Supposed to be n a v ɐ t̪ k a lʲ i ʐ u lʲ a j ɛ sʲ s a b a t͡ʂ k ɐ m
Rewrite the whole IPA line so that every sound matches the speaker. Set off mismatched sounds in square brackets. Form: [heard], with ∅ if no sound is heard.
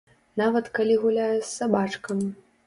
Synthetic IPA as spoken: n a v ɐ t̪ k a lʲ i [ɣ] u lʲ a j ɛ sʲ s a b a t͡ʂ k ɐ m